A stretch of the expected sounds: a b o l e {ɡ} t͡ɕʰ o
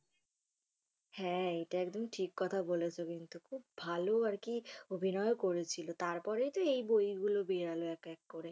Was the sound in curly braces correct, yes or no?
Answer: no